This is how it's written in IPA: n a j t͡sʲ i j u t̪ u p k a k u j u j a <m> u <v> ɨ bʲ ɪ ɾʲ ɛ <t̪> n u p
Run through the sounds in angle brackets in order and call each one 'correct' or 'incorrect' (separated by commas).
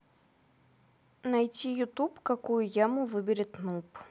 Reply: correct, correct, correct